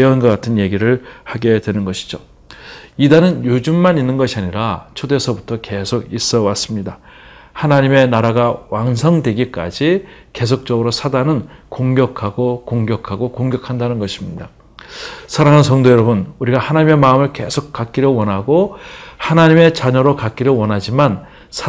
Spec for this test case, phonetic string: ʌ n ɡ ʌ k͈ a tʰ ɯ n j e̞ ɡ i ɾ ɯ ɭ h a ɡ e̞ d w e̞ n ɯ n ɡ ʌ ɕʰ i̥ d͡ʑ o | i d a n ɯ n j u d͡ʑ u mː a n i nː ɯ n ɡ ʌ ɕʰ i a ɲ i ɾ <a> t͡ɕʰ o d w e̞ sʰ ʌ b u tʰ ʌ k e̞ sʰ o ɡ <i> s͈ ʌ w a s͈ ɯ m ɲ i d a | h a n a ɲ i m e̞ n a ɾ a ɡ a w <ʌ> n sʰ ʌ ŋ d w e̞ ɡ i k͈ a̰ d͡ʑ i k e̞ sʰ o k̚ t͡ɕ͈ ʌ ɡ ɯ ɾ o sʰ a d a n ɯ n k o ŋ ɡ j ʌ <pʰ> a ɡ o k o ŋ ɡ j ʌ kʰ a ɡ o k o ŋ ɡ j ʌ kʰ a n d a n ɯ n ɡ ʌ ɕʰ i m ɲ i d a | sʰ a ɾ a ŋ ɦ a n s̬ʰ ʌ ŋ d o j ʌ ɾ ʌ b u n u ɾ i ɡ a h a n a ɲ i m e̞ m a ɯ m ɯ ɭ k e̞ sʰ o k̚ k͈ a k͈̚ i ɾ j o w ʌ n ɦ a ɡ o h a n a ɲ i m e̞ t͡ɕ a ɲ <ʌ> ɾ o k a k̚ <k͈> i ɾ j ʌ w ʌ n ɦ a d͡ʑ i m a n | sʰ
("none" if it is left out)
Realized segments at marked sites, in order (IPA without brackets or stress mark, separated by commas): a, i, a, kʰ, ʌ, k͈